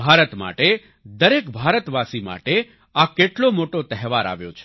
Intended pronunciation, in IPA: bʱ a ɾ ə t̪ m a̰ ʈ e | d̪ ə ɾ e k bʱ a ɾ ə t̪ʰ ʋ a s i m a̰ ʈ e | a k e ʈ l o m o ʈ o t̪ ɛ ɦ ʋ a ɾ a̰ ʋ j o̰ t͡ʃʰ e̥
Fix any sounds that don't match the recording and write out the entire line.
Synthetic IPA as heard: bʱ a ɾ ə t̪ m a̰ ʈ e | d̪ ə ɾ e k bʱ a ɾ ə t̪ ʋ a s i m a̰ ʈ e | a k e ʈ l o m o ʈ o t̪ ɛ ɦ ʋ a ɾ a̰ ʋ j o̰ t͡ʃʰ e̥